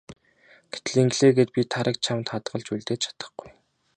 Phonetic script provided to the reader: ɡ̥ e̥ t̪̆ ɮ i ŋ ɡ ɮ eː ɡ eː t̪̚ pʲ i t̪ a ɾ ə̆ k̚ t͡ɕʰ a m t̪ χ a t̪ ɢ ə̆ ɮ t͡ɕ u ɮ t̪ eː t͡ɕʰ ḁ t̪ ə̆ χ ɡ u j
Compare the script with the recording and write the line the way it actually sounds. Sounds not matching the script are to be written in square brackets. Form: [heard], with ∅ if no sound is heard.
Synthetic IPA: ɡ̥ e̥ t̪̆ ɮ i ŋ ɡ ɮ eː ɡ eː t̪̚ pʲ i [t̪ʰ] a ɾ ə̆ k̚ t͡ɕʰ a m t̪ χ a t̪ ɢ ə̆ ɮ t͡ɕ u ɮ t̪ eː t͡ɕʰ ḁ t̪ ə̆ χ ɡ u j